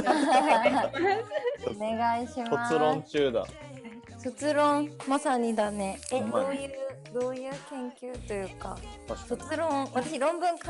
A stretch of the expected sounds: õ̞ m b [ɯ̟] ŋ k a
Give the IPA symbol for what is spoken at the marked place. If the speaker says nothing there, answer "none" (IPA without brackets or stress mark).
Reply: ɯ̟̃